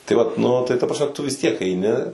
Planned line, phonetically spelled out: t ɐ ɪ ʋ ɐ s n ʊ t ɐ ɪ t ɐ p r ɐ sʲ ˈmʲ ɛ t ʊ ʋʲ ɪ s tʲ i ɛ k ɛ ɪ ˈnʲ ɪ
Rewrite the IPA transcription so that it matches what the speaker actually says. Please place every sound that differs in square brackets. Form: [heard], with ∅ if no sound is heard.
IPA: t ɐ ɪ ʋ ɐ [t] n ʊ t ɐ ɪ t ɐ p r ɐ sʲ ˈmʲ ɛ t ʊ ʋʲ ɪ s tʲ i ɛ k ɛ ɪ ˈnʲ ɪ